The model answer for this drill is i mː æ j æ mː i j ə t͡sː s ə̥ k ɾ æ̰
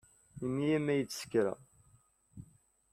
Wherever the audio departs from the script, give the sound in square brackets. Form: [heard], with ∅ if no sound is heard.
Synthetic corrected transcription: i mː [i] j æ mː [æ] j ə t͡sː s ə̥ k ɾ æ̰